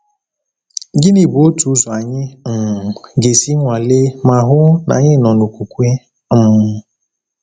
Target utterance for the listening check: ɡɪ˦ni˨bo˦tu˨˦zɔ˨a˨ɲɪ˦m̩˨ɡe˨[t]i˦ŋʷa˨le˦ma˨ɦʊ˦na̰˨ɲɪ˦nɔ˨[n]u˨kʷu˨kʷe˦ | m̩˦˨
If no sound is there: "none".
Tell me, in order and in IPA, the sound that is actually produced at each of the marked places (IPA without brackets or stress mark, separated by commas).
s, n